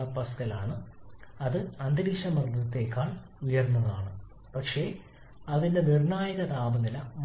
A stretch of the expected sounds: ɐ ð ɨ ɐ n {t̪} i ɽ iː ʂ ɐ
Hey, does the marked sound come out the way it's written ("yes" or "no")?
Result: no